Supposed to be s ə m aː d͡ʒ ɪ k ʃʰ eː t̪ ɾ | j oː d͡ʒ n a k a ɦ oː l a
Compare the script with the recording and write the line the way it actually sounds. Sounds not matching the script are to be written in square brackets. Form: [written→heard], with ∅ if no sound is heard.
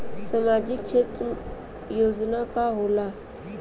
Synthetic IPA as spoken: s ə m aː d͡ʒ ɪ k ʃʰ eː t̪ ɾ | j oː d͡ʒ n a k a ɦ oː l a